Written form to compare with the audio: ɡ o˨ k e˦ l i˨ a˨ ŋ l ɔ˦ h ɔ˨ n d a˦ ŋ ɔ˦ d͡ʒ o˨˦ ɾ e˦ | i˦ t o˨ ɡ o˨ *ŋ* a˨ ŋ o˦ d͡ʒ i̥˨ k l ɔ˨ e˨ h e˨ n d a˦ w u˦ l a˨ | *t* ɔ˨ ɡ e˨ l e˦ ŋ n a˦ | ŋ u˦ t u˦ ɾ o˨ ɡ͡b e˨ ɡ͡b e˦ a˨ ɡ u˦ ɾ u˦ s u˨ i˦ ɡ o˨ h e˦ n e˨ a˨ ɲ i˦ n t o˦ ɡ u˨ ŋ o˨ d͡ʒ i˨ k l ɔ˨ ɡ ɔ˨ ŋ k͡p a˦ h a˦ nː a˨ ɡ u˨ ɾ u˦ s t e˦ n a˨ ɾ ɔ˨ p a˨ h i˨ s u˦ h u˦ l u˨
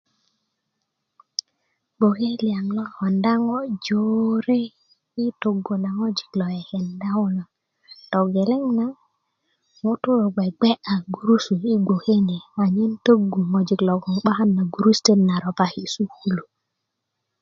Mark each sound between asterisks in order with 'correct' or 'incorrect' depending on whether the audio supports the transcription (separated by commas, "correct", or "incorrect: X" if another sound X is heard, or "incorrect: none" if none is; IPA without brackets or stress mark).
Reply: incorrect: n, correct